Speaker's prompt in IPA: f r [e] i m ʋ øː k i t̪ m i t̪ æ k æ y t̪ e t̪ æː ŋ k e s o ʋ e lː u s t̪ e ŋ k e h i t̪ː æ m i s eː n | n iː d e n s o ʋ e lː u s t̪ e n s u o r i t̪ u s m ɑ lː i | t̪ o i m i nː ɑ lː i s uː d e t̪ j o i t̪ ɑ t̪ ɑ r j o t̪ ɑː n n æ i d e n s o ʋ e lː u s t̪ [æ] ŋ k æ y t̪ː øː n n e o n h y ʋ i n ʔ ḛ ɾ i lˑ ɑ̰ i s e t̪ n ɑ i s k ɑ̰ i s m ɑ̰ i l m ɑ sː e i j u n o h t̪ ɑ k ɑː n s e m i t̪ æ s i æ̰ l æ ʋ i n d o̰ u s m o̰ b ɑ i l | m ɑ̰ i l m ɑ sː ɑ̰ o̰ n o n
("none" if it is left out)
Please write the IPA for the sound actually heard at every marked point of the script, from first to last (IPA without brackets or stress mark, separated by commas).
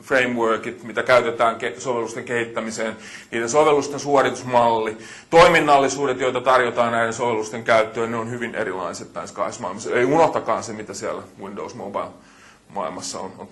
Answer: e, e